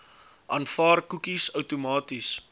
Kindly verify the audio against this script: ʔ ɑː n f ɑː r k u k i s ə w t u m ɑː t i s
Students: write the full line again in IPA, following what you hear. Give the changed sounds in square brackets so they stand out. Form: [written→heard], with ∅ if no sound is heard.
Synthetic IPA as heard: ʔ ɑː n f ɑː r k u k i s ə w t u m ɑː t i s